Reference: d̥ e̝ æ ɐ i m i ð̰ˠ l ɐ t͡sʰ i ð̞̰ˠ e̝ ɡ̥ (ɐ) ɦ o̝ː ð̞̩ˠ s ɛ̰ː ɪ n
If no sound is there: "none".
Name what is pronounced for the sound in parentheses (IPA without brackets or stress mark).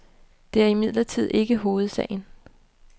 ə